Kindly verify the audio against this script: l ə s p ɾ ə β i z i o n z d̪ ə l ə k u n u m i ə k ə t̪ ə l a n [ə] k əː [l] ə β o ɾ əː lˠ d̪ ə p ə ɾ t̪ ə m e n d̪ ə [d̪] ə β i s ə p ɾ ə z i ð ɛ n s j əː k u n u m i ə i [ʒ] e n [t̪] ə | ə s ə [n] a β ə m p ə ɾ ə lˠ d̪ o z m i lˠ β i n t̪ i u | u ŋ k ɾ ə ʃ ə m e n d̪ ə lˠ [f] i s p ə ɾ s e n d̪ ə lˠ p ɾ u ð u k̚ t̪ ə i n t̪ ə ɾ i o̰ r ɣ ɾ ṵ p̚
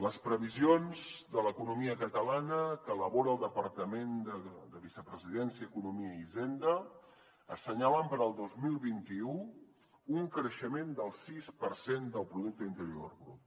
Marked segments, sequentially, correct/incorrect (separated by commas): correct, correct, correct, incorrect, incorrect, incorrect, incorrect